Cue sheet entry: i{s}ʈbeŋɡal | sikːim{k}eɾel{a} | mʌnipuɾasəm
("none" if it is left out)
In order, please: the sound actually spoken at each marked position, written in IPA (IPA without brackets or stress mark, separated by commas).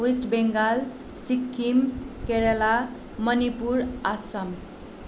s, k, a